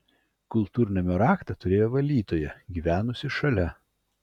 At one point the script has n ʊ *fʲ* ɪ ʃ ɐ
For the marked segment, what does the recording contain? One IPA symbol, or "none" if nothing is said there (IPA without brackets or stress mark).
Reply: sʲ